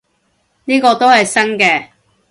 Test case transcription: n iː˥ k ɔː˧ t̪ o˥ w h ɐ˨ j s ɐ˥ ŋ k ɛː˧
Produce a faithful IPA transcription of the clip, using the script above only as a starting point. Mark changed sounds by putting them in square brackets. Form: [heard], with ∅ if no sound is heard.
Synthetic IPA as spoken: n iː˥ k ɔː˧ t̪ o˥ w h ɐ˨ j s ɐ˥ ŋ k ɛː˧